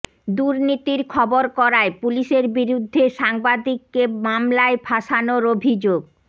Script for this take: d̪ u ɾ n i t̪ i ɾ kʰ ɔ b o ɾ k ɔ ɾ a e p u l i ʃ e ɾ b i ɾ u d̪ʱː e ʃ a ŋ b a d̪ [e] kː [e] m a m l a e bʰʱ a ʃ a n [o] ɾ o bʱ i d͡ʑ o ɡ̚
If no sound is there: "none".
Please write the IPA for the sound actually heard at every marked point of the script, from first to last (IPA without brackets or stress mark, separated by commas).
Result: i, e, o